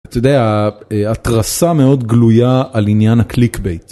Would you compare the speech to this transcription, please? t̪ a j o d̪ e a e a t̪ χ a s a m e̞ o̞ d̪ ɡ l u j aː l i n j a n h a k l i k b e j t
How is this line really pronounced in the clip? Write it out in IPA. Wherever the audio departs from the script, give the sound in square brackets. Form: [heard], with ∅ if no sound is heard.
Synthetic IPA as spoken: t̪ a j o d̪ e a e a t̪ [ʁ] a s a m e̞ o̞ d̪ ɡ l u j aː l i n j a n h a k l i k b e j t